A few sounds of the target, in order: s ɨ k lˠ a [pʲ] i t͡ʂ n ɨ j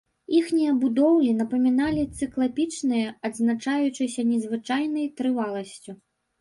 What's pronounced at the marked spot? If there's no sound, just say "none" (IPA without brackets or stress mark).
pʲ